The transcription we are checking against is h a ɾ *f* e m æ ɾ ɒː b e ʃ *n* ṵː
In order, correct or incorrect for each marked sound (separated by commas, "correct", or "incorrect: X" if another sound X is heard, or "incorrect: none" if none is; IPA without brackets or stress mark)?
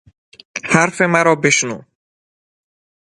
correct, correct